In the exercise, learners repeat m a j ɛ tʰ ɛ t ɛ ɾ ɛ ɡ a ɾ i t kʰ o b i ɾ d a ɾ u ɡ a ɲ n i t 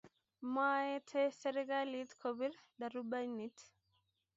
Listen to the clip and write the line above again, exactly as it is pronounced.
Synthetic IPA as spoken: m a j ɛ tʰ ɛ s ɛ ɾ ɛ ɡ a l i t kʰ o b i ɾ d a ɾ u b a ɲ n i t